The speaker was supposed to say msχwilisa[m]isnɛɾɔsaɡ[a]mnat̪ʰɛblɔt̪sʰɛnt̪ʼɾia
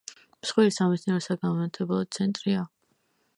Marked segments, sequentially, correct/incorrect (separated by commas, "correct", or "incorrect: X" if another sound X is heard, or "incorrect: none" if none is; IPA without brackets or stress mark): correct, correct